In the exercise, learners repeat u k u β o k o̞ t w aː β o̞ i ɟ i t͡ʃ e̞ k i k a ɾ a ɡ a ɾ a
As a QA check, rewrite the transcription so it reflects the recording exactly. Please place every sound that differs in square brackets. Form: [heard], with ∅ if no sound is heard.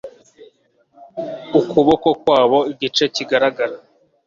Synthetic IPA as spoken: u k u β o k o̞ [k] w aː β o̞ i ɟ i t͡ʃ e̞ [c] i [ɡ] a ɾ a ɡ a ɾ a